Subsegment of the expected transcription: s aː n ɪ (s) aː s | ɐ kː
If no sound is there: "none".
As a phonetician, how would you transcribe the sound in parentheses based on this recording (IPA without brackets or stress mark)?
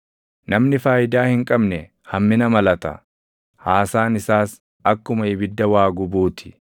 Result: s